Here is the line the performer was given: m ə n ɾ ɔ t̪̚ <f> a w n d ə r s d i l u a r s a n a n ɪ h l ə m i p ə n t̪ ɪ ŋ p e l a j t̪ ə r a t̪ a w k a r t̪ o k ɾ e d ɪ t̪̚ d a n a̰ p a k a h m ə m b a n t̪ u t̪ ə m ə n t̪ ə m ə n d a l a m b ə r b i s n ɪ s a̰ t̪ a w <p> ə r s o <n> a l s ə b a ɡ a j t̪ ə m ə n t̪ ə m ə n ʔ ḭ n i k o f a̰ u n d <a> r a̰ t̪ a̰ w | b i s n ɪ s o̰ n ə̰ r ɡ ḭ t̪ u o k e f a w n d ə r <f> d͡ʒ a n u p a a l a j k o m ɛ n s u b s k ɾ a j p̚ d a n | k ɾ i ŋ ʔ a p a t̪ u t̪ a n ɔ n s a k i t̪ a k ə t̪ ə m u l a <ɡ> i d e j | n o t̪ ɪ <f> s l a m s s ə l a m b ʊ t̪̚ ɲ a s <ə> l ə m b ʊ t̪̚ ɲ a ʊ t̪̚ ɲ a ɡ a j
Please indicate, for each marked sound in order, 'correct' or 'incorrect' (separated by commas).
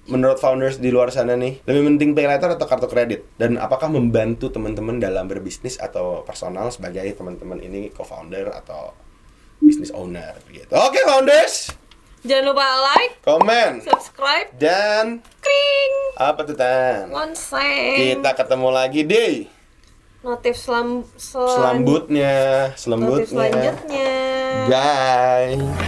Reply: correct, correct, correct, incorrect, incorrect, correct, correct, correct